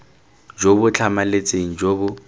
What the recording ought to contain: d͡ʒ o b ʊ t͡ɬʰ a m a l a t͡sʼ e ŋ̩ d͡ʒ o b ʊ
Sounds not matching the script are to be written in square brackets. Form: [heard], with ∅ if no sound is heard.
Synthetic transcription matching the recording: d͡ʒ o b ʊ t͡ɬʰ a m a l [e] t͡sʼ e ŋ̩ d͡ʒ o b ʊ

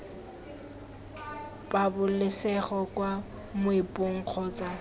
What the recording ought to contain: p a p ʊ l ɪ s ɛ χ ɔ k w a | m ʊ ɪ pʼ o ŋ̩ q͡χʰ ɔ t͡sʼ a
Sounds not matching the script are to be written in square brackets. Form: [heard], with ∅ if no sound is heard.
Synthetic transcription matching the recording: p a [b] ʊ l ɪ s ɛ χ ɔ k w a | m ʊ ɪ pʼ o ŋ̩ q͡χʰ ɔ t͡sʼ a

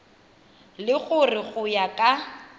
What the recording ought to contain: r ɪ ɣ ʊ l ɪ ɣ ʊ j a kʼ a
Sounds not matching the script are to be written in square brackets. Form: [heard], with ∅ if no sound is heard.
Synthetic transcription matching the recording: [l] ɪ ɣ ʊ [r] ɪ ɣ ʊ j a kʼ a

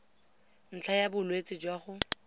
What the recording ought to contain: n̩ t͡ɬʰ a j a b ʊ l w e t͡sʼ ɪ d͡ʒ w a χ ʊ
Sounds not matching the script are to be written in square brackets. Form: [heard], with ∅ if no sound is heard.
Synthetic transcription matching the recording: n̩ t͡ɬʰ a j a b ʊ l w e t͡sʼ ɪ d͡ʒ w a χ ʊ

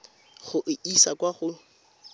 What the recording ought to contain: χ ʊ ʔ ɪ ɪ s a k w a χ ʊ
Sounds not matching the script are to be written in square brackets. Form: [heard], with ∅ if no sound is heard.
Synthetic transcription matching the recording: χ ʊ ʔ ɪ [i] s a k w a χ ʊ

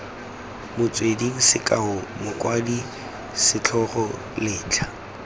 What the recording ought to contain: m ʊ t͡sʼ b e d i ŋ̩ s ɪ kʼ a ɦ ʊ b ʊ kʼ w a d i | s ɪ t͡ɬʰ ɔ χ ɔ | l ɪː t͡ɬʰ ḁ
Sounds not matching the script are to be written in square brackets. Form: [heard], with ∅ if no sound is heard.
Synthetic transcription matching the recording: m ʊ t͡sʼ [w] e d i ŋ̩ s ɪ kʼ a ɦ ʊ [m] ʊ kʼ w a d i | s ɪ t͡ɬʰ ɔ χ ɔ | l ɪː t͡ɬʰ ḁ

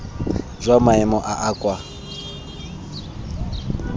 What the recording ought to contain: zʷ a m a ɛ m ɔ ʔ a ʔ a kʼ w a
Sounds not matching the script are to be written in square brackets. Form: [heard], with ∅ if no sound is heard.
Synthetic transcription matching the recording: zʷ a m a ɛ m ɔ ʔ a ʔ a kʼ w a

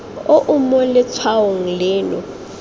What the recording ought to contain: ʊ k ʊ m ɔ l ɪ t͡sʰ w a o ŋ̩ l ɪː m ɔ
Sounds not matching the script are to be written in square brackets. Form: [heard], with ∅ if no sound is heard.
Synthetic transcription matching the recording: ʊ [ʔ] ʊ m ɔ l ɪ t͡sʰ w a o ŋ̩ l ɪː [n] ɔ

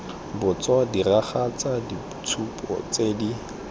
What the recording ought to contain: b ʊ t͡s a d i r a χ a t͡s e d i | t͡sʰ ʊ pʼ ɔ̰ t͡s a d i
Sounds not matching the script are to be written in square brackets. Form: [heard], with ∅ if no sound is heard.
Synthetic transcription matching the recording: b ʊ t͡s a d i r a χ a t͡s [a] d i | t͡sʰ [u] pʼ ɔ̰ t͡s [e] d i

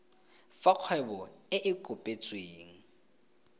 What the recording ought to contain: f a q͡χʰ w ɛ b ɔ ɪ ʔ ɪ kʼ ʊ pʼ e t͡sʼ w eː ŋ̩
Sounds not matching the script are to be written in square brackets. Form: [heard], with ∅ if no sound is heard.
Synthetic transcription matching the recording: f a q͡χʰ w ɛ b ɔ ɪ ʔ ɪ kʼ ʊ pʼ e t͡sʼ w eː ŋ̩

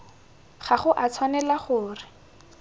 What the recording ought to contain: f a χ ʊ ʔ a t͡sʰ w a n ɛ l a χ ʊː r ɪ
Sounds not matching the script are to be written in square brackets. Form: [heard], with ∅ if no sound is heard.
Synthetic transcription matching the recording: [χ] a χ ʊ ʔ a t͡sʰ w a n ɛ l a χ ʊː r ɪ

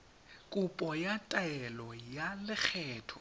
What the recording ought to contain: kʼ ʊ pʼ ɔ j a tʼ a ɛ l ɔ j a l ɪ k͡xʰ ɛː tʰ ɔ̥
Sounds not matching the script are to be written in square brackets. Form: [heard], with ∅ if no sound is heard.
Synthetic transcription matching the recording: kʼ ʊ pʼ ɔ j a tʼ a ɛ l ɔ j a l ɪ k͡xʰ ɛː tʰ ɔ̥

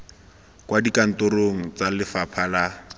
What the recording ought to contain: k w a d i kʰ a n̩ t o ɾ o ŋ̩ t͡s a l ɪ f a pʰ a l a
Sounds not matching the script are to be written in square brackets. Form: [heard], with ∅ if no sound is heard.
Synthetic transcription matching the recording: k w a d i [k] a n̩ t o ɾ o ŋ̩ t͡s a l ɪ f a pʰ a l a

